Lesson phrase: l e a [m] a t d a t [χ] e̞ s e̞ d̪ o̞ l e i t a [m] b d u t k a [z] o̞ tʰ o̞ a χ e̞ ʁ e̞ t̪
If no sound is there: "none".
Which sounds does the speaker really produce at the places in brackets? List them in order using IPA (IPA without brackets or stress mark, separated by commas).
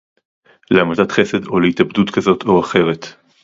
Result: m, χ, none, z